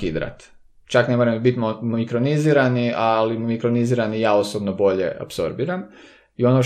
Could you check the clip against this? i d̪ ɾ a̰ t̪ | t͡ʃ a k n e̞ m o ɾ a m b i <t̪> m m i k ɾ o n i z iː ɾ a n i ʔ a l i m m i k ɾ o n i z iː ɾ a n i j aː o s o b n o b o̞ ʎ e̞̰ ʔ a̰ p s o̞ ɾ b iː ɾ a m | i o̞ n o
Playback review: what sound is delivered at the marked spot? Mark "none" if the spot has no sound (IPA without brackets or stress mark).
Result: t̪